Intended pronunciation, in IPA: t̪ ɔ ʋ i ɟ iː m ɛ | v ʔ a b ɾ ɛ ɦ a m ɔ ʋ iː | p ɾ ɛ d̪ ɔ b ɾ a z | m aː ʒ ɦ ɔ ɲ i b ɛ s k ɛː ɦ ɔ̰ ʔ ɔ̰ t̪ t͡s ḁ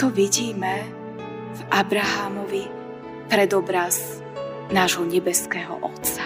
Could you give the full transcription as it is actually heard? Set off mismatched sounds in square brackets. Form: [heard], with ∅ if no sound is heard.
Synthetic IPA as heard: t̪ ɔ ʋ i ɟ iː m ɛ | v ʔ a b ɾ [a] ɦ a m ɔ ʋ [i] | p ɾ ɛ d̪ ɔ b ɾ a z | [n] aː ʒ ɦ ɔ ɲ [ɛ] b ɛ s k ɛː ɦ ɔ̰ ʔ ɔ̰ t̪ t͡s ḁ